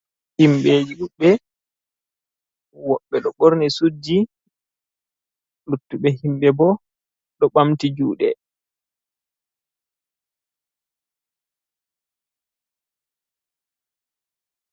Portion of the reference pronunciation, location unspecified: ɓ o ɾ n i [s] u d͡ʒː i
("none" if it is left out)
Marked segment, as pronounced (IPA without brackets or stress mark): s